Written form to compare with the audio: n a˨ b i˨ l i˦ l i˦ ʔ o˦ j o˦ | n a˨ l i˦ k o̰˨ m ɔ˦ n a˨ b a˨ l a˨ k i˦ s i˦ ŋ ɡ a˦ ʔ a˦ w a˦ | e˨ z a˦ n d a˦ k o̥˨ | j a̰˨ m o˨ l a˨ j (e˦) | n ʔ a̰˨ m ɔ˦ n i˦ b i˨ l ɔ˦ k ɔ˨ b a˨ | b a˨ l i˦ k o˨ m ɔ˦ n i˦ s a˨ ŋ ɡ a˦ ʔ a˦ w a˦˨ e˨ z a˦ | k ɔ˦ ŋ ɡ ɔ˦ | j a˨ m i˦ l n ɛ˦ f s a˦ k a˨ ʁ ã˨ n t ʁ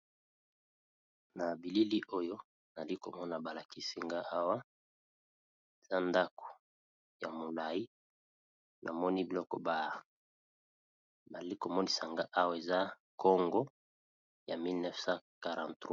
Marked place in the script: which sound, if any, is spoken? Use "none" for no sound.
i˦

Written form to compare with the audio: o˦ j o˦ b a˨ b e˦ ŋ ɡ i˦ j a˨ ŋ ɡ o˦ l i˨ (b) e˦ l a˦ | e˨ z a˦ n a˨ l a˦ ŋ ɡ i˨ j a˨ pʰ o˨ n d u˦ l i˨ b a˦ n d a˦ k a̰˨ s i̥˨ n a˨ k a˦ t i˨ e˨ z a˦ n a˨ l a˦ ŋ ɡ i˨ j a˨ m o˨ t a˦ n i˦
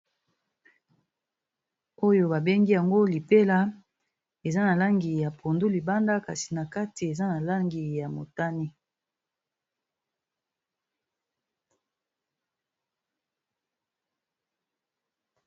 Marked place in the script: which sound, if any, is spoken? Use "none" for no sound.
p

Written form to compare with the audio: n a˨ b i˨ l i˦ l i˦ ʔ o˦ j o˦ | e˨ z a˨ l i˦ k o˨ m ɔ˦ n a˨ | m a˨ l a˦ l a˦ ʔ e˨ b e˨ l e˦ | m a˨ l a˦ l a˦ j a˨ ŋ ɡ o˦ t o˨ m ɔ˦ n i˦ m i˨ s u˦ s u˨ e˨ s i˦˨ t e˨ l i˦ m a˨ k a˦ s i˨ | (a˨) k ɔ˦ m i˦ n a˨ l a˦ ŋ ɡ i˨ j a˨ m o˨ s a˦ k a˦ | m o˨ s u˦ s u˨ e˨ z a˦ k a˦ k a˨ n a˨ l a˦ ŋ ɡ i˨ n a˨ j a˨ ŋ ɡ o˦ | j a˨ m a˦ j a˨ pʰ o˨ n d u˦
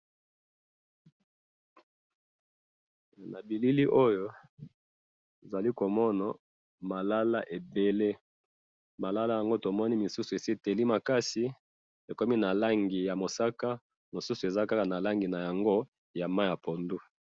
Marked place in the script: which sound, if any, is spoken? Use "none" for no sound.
e˨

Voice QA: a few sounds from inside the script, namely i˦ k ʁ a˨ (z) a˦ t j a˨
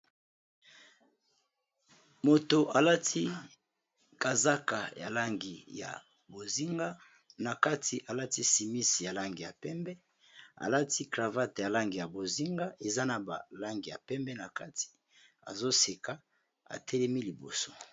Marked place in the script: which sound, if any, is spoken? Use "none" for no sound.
v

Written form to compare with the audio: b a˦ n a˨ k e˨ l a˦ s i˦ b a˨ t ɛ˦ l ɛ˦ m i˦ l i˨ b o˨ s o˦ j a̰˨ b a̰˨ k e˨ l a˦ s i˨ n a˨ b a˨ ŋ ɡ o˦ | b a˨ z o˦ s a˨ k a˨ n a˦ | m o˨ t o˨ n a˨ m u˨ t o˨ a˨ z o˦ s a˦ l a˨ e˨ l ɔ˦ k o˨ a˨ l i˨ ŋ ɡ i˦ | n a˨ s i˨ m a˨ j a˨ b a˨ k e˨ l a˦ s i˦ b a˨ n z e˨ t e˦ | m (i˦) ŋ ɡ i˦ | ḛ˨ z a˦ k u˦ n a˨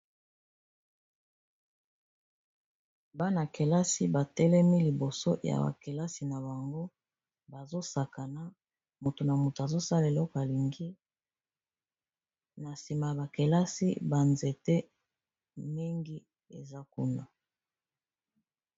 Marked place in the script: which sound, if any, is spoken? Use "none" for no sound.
i˦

